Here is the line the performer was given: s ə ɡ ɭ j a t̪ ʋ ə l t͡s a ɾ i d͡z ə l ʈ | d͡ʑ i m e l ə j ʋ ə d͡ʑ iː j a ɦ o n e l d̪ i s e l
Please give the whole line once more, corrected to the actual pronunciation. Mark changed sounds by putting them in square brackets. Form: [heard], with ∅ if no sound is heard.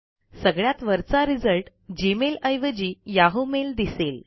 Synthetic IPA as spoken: s ə ɡ ɭ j a t̪ ʋ ə [ɾ] t͡s a ɾ i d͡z ə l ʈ | d͡ʑ i m e l ə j ʋ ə d͡ʑ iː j a ɦ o [m] e l d̪ i s e l